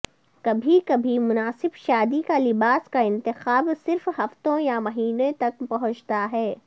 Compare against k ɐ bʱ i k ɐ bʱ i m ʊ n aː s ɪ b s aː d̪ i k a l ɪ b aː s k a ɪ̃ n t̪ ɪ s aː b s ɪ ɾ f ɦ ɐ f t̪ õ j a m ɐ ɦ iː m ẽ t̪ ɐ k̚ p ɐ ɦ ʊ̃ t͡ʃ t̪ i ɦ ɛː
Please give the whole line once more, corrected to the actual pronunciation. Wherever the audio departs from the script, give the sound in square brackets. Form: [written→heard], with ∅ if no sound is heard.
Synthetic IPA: k ɐ bʱ i k ɐ bʱ i m ʊ n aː s ɪ b [s→ʃ] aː d̪ i k a l ɪ b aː s k a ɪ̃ n t̪ ɪ [s→x] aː b s ɪ ɾ f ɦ ɐ f t̪ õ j a m ɐ ɦ iː [m→n] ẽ t̪ ɐ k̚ p ɐ ɦ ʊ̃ t͡ʃ t̪ [i→a] ɦ ɛː